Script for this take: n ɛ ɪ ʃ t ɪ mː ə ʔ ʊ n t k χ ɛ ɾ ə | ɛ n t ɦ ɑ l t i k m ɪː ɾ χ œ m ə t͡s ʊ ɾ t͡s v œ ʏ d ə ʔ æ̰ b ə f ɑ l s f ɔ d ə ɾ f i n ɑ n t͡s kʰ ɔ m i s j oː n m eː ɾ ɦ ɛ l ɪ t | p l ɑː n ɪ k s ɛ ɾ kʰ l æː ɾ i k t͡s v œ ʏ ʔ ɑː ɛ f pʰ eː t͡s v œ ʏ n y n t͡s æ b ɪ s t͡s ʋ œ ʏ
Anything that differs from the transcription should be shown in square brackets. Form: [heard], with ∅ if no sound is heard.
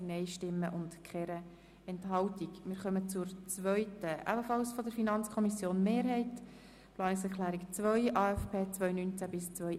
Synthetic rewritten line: n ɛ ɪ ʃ t ɪ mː ə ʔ ʊ n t k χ ɛ ɾ ə | ɛ n t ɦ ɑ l t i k m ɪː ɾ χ œ m ə t͡s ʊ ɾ t͡s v œ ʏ [t] ə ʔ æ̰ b ə f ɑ l s f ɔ d ə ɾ f i n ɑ n t͡s kʰ ɔ m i s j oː n m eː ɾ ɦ ɛ [∅] ɪ t | p l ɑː n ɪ k s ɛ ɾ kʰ l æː ɾ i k t͡s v œ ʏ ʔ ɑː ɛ f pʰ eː t͡s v œ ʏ n y n t͡s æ b ɪ s t͡s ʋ œ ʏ